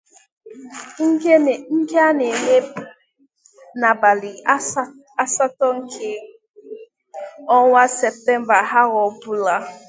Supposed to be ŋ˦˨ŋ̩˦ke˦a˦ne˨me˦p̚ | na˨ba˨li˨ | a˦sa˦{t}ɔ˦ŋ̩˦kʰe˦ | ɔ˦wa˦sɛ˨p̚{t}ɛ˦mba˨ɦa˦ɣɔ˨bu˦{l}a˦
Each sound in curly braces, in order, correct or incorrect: correct, correct, correct

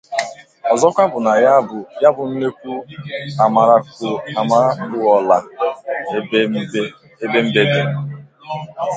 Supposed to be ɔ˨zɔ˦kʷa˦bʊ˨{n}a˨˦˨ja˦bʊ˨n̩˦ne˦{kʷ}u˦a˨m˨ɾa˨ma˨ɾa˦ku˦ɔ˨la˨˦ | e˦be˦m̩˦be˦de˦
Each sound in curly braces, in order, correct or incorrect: correct, correct

